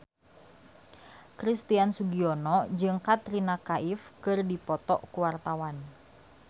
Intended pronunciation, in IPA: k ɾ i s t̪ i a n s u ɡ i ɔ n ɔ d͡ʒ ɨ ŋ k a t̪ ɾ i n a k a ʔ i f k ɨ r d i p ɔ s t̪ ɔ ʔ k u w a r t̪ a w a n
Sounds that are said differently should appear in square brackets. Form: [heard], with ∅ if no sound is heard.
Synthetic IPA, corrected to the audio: k ɾ i s t̪ i a n s u ɡ i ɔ n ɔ d͡ʒ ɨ ŋ k a t̪ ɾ i n a k a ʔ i f k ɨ r d i p ɔ [∅] t̪ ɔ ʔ k u w a r t̪ a w a n